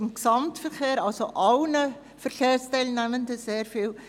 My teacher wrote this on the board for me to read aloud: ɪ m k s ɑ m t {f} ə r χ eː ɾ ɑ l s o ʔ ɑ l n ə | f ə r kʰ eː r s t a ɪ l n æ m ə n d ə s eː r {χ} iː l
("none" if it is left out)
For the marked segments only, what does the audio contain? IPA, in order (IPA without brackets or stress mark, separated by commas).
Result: f, f